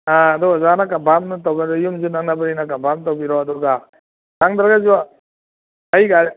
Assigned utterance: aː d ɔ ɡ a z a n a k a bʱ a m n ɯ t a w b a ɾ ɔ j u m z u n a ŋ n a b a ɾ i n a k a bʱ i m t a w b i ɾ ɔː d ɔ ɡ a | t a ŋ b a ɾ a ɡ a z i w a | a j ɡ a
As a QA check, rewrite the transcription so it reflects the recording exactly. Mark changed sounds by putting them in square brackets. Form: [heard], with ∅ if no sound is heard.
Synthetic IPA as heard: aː d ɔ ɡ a z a n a k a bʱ a m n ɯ t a w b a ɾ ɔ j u m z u n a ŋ n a b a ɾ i n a k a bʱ [a] m t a w b i ɾ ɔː d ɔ ɡ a | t a ŋ [d] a ɾ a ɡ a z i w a | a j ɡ a